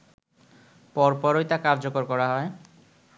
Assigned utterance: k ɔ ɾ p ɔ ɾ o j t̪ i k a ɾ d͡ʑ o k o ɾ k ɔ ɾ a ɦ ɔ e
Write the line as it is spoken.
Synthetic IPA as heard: p ɔ ɾ p ɔ ɾ o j t̪ a k a ɾ d͡ʑ o k o ɾ k ɔ ɾ a ɦ ɔ e